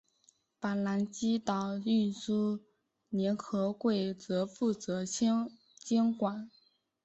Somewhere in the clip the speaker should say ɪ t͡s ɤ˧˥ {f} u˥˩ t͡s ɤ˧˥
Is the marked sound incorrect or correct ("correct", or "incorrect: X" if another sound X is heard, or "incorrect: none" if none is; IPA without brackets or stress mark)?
correct